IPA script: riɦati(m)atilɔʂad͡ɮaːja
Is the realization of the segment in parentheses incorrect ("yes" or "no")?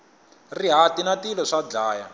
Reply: yes